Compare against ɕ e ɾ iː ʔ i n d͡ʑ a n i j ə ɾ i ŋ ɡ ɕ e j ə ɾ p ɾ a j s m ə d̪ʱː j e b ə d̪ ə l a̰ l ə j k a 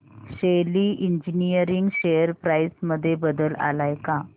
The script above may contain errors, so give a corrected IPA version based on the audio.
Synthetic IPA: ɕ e l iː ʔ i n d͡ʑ i n i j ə ɾ i ŋ ɡ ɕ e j ə ɾ p ɾ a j s m ə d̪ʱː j e b ə d̪ ə l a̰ l a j k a